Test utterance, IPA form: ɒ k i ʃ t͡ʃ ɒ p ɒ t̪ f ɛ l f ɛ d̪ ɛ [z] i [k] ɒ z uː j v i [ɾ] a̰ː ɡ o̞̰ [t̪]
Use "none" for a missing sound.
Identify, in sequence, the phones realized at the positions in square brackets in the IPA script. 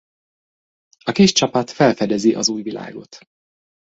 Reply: z, ʔ, l, t̪

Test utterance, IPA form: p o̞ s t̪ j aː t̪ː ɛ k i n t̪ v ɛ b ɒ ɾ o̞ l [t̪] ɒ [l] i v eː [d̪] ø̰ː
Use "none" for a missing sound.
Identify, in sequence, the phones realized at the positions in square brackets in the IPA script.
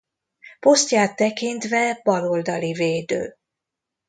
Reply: d̪, l, d̪

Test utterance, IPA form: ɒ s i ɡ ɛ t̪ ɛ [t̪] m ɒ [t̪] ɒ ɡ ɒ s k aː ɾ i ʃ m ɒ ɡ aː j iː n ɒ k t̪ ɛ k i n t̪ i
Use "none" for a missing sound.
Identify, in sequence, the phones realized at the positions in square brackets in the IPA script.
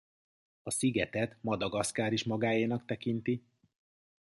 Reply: t̪, d̪

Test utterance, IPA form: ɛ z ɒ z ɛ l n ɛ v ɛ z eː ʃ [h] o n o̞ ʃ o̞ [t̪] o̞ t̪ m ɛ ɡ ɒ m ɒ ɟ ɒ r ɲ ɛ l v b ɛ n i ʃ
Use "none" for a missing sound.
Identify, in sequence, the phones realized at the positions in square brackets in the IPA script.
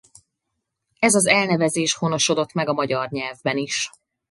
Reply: h, d̪

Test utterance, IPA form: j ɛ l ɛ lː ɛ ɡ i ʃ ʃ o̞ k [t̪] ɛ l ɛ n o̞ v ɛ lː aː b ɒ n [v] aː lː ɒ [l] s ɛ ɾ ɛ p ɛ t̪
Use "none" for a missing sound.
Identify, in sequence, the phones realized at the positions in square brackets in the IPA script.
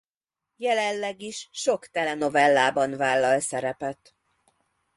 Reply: t̪, v, l

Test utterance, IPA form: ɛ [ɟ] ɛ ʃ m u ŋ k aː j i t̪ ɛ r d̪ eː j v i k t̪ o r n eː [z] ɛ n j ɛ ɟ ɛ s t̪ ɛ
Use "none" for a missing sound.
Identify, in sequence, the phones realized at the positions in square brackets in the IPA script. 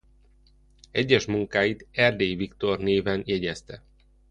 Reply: ɟː, v

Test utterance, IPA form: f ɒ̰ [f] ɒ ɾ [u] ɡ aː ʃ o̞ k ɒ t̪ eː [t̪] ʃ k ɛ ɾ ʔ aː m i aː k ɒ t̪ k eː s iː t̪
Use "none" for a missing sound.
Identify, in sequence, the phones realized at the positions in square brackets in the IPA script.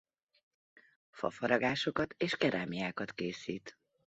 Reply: f, ɒ, none

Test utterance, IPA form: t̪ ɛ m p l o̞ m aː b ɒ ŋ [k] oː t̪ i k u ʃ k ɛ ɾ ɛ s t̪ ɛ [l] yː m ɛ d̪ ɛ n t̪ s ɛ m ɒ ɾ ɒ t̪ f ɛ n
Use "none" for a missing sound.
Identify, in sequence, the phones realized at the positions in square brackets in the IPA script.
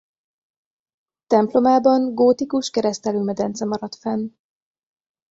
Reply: ɡ, l

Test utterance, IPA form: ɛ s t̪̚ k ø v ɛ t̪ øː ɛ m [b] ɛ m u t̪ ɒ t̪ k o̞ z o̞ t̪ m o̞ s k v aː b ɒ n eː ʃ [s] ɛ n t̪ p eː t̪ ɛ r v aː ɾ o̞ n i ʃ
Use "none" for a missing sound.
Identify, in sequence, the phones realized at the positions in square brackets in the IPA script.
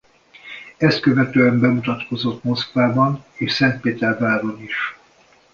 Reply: b, s

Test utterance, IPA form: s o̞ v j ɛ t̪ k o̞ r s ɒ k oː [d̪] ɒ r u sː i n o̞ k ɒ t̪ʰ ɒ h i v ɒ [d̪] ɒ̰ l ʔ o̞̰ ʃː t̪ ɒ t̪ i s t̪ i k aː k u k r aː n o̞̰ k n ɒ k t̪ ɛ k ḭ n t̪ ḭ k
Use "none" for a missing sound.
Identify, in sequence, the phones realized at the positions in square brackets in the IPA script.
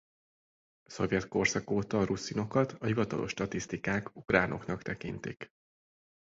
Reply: t̪, t̪

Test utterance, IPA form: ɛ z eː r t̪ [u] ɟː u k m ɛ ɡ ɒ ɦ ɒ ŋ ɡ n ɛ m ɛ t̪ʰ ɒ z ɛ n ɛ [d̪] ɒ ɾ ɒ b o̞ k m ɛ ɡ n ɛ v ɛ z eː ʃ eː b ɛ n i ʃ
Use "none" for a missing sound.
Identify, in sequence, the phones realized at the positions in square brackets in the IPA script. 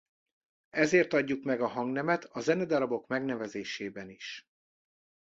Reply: ɒ, d̪

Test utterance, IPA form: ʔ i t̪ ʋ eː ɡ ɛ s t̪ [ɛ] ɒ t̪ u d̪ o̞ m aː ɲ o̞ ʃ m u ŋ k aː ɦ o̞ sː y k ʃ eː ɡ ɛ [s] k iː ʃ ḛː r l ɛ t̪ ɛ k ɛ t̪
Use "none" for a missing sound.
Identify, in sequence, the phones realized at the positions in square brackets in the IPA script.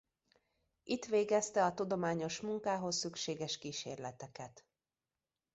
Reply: ɛ, ʃ

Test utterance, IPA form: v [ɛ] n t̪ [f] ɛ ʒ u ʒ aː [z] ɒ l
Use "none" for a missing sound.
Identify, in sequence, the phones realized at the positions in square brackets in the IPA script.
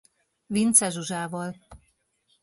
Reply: i, s, v

